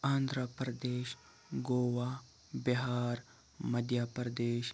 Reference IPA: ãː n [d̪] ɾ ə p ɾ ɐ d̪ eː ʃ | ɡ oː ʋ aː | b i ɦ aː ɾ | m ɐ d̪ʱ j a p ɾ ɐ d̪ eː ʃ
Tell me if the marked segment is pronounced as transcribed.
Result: yes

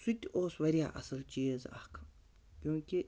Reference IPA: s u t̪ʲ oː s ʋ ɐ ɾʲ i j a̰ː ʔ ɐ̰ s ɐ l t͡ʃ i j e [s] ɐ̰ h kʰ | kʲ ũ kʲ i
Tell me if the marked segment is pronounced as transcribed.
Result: no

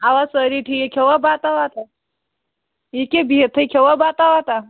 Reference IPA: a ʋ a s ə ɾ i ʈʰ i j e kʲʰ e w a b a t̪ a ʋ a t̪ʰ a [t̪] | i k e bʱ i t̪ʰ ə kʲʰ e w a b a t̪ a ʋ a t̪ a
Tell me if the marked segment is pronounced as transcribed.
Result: no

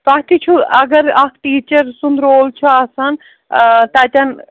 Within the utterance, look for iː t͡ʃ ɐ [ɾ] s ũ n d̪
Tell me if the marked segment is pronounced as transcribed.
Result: yes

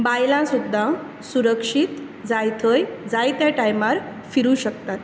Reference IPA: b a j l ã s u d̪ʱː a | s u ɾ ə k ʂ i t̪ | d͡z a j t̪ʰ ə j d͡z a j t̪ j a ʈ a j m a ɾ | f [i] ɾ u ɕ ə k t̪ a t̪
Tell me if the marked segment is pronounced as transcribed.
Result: yes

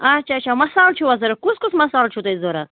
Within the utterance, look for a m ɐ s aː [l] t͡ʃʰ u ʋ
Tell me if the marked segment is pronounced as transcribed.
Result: yes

